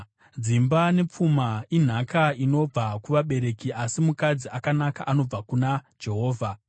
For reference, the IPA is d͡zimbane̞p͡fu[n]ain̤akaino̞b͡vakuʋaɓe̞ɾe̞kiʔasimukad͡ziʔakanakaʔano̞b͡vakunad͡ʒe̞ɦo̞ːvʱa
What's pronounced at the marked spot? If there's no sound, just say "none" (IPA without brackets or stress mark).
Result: m